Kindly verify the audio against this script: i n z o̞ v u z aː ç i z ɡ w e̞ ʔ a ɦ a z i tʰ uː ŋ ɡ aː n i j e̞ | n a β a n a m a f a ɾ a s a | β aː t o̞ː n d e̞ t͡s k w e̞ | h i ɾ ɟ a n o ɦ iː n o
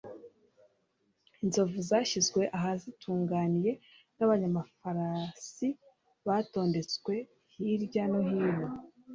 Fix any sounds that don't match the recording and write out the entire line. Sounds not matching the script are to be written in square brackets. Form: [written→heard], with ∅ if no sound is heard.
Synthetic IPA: i n z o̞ v u z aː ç i z ɡ w e̞ ʔ a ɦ a z i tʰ uː ŋ ɡ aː n i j e̞ | n a β a [n→ɲ] a m a f a ɾ a s [a→i] | β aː t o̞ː n d e̞ t͡s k w e̞ | h i ɾ ɟ a n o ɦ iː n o